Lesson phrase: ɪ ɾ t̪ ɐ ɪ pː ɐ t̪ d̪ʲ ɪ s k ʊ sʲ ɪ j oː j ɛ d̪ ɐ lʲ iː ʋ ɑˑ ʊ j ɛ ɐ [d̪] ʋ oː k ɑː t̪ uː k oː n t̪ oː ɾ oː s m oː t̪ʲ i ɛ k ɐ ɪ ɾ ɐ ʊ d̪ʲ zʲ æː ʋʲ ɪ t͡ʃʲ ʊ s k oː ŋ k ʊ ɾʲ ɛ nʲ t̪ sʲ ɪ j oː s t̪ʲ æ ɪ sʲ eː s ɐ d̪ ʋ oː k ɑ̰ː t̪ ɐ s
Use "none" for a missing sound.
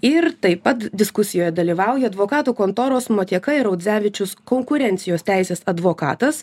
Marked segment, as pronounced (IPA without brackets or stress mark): d̪